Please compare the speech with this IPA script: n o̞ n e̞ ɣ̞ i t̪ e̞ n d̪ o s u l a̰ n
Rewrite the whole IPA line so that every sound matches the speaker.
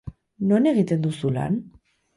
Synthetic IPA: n o̞ n e̞ ɣ̞ i t̪ e̞ n d̪ u s u l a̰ n